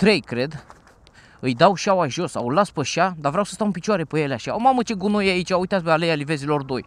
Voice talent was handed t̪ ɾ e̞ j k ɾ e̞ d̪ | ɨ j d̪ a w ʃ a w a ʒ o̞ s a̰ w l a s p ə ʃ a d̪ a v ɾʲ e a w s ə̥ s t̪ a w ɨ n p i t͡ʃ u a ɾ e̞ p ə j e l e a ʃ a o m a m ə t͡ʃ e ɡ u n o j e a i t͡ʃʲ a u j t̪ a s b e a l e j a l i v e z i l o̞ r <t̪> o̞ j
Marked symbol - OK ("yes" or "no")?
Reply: no